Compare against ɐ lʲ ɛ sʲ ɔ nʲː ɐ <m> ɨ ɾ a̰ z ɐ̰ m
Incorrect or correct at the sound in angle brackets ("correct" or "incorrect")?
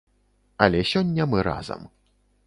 correct